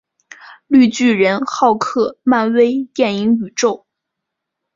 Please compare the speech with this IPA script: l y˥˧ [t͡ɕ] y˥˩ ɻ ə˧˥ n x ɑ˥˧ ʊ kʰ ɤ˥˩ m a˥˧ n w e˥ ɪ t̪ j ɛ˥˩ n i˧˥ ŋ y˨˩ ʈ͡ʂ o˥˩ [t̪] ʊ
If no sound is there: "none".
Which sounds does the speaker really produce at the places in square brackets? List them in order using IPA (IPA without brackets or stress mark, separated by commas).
t͡ɕ, none